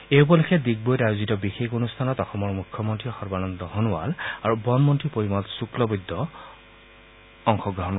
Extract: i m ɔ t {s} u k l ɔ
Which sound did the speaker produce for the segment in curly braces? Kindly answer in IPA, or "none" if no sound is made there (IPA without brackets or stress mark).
s